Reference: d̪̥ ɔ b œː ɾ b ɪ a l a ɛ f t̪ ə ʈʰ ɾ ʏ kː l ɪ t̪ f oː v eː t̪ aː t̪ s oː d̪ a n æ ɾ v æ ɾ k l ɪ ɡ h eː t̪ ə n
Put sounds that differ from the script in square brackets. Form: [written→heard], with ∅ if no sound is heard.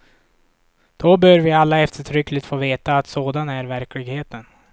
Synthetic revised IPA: d̪̥ ɔ b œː ɾ [b→v] ɪ a [l→lː] a ɛ f t̪ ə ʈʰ ɾ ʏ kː l ɪ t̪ f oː v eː t̪ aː t̪ s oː d̪ a n æ ɾ v æ ɾ k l ɪ ɡ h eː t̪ ə n